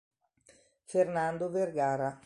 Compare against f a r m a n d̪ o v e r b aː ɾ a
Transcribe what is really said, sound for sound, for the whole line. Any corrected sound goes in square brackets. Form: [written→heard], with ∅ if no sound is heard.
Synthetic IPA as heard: f [a→e] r [m→n] a n d̪ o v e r [b→ɡ] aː ɾ a